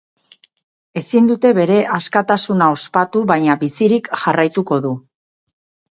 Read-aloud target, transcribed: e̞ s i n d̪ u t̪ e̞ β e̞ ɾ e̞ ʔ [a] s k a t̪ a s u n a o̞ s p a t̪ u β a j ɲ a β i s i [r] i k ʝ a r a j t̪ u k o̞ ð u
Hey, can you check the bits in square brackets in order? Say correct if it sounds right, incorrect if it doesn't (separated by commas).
correct, incorrect